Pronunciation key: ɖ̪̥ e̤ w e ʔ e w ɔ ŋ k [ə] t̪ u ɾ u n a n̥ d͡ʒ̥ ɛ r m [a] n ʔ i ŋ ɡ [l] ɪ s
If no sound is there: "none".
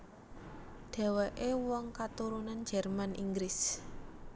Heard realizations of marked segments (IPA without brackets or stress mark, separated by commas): a, a, ɾ